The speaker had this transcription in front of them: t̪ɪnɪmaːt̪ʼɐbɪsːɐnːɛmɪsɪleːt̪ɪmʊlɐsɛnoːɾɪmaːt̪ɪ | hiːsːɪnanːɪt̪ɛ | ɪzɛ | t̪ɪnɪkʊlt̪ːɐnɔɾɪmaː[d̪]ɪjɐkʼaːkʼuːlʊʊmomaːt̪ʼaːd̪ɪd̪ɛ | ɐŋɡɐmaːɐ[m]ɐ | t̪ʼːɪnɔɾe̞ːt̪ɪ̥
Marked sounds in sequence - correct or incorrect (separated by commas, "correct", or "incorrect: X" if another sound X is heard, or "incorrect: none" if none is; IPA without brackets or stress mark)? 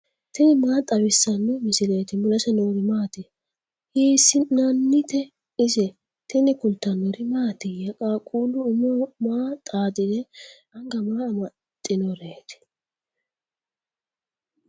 incorrect: t̪, correct